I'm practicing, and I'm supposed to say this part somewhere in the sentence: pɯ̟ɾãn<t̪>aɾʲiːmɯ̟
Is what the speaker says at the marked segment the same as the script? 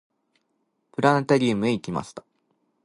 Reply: yes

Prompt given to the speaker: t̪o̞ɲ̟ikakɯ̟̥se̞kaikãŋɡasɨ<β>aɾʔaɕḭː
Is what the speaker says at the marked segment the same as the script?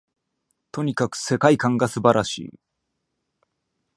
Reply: no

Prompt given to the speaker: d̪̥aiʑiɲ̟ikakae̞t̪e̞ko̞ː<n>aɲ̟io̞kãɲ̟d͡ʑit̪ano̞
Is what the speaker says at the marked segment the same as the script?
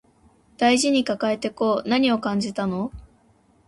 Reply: yes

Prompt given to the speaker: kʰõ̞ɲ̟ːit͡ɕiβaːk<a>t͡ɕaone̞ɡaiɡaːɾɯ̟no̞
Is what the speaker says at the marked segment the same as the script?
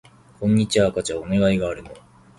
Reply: yes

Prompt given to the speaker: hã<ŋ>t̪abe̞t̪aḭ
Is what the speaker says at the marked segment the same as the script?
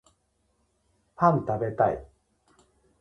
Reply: no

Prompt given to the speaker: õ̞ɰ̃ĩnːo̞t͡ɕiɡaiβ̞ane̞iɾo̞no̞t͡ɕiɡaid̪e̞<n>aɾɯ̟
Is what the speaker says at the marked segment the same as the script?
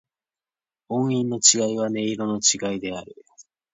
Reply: no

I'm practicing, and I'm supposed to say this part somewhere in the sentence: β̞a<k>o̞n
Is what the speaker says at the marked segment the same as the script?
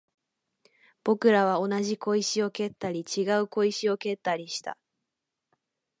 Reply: no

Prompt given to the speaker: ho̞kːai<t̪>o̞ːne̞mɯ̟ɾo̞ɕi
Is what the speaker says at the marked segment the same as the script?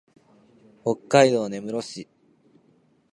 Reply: no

